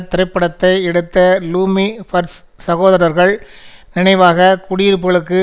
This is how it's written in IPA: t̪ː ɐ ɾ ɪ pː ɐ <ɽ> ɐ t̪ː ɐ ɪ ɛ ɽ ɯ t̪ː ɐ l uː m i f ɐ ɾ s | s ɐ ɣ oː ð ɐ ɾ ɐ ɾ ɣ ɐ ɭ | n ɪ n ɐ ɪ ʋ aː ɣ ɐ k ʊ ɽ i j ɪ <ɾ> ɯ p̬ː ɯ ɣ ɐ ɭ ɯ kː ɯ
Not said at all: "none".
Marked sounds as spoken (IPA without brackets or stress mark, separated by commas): ɽ, ɾ